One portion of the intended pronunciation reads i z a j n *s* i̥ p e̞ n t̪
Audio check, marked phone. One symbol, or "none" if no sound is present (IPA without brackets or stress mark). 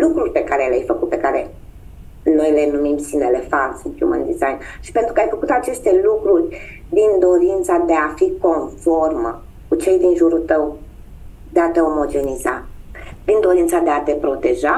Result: ʃ